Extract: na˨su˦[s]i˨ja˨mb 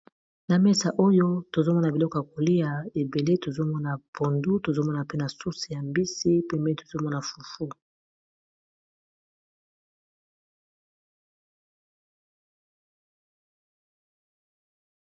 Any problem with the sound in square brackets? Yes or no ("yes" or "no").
no